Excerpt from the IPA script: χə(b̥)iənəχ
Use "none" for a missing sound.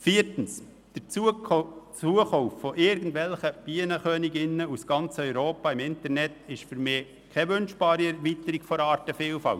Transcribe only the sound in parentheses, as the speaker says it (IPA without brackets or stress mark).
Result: b̥